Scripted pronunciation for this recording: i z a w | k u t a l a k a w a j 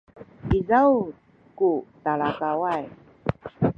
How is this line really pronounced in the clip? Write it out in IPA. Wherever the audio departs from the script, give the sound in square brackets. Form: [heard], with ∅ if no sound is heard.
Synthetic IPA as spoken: i z a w | k u t a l a k a w a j